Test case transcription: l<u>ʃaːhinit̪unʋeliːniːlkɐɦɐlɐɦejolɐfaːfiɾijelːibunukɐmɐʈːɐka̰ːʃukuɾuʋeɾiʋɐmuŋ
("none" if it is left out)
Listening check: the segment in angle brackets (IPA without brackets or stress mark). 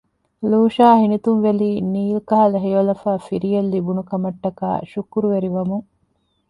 uː